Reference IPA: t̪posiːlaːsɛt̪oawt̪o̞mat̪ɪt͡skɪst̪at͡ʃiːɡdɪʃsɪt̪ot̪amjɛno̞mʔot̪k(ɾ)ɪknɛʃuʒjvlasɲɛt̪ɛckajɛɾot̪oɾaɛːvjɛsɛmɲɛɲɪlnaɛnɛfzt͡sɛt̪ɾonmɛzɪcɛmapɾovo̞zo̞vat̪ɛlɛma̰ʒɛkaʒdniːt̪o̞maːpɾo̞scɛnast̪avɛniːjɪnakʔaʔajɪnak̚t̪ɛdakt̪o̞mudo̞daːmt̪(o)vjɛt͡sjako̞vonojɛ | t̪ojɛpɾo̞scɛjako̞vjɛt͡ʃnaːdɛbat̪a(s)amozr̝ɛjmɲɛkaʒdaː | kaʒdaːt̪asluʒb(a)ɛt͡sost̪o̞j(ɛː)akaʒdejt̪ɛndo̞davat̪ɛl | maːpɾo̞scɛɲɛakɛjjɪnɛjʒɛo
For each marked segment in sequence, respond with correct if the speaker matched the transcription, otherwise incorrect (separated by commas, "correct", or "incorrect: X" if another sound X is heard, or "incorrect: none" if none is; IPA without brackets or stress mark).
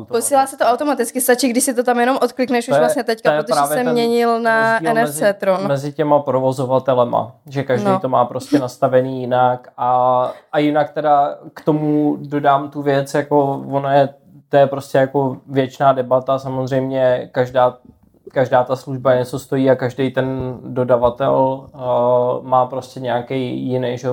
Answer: incorrect: l, incorrect: u, correct, correct, incorrect: iː